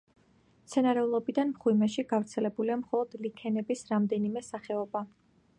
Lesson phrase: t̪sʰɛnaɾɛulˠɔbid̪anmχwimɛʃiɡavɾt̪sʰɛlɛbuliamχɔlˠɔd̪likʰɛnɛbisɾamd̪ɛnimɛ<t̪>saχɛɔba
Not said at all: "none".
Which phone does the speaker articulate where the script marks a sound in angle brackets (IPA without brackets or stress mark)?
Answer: none